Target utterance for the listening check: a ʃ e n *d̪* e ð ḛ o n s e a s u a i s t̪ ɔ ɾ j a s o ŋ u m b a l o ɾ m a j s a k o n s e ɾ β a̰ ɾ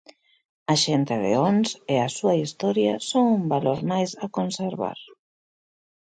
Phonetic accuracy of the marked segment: incorrect: t̪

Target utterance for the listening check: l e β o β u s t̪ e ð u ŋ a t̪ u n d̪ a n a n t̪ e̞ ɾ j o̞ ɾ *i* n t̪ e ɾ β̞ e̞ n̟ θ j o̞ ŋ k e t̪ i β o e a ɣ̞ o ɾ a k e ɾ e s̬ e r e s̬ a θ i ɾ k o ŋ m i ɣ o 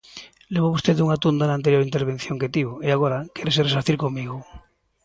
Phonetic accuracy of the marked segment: correct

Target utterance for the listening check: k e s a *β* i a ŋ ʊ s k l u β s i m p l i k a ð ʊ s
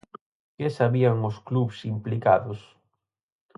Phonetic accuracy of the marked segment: correct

